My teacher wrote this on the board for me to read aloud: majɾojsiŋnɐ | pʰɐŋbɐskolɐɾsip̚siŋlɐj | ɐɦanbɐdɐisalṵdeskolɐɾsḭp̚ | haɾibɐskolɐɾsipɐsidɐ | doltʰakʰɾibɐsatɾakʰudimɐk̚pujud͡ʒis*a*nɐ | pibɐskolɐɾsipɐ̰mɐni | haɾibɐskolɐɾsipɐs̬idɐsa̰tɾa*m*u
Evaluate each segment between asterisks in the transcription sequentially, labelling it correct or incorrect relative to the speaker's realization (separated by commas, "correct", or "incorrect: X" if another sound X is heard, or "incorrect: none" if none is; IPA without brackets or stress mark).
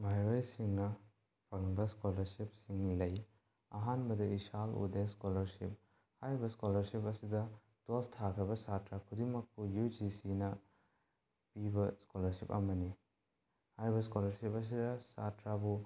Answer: incorrect: i, incorrect: b